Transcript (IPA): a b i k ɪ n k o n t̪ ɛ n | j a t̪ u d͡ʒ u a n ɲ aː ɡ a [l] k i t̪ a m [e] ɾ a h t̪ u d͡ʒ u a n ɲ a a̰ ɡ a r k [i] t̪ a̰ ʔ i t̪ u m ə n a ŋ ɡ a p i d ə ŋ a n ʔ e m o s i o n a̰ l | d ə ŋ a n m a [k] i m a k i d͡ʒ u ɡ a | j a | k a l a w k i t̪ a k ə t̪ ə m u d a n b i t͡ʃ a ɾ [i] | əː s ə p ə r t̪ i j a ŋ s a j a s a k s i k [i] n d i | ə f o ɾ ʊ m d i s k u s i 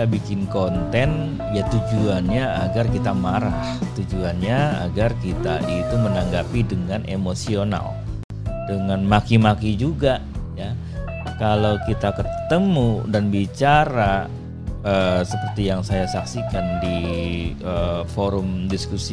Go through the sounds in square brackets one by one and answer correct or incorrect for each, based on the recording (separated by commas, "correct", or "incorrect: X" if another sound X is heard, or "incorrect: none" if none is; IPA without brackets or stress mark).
incorrect: r, incorrect: a, correct, correct, incorrect: a, incorrect: a